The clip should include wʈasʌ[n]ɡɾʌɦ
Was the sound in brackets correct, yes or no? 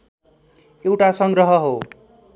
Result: no